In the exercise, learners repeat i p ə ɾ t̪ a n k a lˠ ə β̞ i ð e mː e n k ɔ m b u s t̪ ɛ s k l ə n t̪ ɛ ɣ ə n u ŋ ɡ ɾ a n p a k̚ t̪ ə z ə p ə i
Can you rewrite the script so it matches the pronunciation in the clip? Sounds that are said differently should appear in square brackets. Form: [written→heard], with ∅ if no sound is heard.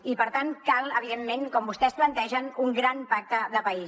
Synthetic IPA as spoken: i p ə ɾ t̪ a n k a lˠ ə β̞ i ð e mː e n k ɔ m b u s t̪ ɛ s [k→p] l ə n t̪ ɛ [ɣ→ʒ] ə n u ŋ ɡ ɾ a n p a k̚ t̪ ə [z→ð] ə p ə i